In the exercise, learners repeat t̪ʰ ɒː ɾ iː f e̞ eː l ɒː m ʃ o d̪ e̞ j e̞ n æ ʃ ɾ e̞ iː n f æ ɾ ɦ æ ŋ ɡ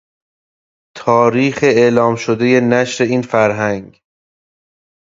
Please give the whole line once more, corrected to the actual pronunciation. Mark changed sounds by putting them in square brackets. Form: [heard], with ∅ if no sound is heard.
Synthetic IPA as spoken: t̪ʰ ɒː ɾ iː [x] e̞ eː l ɒː m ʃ o d̪ e̞ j e̞ n æ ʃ ɾ e̞ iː n f æ ɾ ɦ æ ŋ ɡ